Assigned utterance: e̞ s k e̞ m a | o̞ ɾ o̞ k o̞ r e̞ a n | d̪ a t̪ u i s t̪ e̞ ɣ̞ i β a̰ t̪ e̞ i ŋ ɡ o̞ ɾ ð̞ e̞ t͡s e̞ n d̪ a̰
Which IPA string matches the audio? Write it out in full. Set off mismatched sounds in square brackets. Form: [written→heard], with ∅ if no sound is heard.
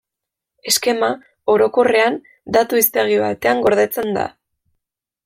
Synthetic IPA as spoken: e̞ s k e̞ m a | o̞ ɾ o̞ k o̞ r e̞ a n | d̪ a t̪ u i s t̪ e̞ ɣ̞ i β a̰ t̪ e̞ [i→a] ŋ ɡ o̞ ɾ ð̞ e̞ t͡s e̞ n d̪ a̰

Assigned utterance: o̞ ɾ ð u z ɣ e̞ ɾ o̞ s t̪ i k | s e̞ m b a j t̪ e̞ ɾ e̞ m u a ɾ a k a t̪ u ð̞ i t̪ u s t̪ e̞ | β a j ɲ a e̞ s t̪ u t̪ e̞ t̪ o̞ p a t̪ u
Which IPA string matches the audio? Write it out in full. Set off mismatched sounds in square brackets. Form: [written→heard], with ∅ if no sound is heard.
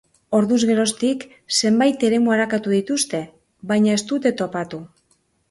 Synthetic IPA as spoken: o̞ ɾ ð u z ɣ e̞ ɾ o̞ s t̪ i k | s e̞ m b a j t̪ e̞ ɾ e̞ m u a ɾ a k a t̪ u ð̞ i t̪ u s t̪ e̞ | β a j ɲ a e̞ s t̪ u t̪ e̞ t̪ o̞ p a t̪ u

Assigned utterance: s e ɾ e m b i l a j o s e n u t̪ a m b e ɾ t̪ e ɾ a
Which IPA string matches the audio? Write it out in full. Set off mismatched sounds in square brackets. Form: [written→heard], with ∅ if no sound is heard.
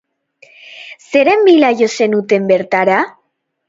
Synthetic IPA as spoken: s e ɾ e m b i l a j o s e n u t̪ [a→e] m b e ɾ t̪ [e→a] ɾ a

